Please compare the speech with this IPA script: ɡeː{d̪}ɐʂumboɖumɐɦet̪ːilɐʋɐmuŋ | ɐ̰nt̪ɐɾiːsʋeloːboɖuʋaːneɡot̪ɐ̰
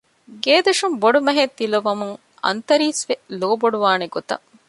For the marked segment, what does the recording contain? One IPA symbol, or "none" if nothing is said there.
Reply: d̪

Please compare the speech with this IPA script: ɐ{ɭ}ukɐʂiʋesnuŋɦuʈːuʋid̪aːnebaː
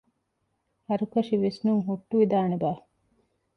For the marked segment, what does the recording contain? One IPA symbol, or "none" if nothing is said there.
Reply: ɾ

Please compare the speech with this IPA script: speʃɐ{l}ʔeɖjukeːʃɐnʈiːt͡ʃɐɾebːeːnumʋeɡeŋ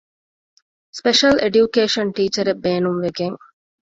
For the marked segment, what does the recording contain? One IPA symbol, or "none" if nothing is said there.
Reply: l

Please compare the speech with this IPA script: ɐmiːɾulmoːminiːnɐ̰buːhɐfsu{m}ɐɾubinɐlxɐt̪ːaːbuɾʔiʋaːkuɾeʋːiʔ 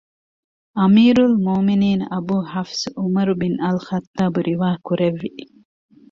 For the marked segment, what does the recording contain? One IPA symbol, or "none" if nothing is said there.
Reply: m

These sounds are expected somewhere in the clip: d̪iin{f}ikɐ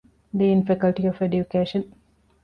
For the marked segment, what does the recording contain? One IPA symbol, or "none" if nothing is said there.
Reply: f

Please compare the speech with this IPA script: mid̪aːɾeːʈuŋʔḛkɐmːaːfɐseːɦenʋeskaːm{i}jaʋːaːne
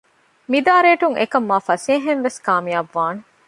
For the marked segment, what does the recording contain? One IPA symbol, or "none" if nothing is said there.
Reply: i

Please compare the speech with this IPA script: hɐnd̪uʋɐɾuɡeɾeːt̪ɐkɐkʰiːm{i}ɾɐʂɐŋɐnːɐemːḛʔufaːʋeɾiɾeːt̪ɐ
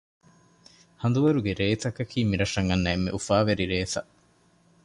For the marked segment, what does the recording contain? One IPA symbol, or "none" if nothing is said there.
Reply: i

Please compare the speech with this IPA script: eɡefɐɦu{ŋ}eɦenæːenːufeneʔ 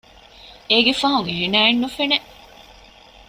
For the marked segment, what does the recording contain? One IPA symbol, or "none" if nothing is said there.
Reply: ŋ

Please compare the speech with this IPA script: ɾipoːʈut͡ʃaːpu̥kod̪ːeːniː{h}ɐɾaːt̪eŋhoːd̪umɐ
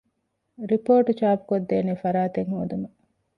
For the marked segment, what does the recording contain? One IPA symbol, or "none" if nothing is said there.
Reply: f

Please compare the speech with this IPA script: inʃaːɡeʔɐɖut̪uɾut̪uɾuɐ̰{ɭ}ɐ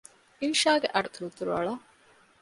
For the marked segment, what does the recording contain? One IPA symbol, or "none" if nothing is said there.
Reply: ɭ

